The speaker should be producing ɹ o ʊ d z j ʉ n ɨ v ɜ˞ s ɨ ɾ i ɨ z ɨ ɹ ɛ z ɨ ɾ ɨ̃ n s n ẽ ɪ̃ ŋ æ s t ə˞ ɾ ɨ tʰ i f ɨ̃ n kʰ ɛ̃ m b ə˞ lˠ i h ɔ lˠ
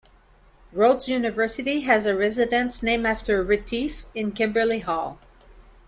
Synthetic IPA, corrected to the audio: ɹ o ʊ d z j ʉ n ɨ v ɜ˞ s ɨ ɾ i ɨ z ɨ ɹ ɛ z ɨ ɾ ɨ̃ n s n ẽ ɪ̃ m æ f t ə˞ ɹ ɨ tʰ i f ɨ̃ n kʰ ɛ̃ m b ə˞ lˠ i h ɔ lˠ